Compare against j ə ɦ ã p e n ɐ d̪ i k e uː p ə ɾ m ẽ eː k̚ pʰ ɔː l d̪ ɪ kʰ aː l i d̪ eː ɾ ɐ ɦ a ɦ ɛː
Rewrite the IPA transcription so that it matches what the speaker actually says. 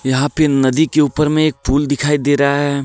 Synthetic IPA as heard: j ɐ ɦ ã p e n ɐ d̪ i k e uː p ə ɾ m ẽ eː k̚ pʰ uː l d̪ ɪ kʰ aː i d̪ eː ɾ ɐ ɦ a ɦ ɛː